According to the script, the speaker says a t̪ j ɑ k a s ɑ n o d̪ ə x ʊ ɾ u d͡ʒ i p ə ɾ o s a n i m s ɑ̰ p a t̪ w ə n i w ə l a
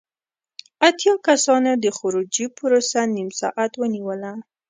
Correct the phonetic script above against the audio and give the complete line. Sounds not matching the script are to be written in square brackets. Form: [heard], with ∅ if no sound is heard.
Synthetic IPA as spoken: a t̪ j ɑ k a s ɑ n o d̪ ə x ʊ ɾ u d͡ʒ i p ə ɾ o s a n i m s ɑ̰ [ʔ] a t̪ w ə n i w ə l a